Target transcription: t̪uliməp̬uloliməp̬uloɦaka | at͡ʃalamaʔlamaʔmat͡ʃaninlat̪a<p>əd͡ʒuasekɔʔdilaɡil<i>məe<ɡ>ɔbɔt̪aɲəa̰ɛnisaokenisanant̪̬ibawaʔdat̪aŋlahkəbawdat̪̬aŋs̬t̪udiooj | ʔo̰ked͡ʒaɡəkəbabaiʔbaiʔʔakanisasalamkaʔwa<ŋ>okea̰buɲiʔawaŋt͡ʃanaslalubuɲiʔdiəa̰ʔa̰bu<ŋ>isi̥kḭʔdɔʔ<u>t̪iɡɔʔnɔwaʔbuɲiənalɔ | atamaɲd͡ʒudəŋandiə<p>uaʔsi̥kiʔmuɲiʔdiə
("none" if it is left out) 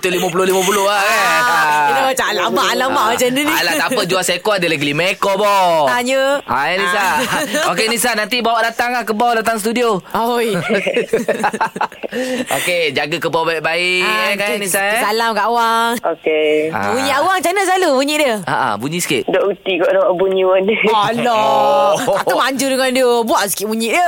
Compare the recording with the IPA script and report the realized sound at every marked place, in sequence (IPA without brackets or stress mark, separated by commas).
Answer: p, i, k, ŋ, ɲ, u, b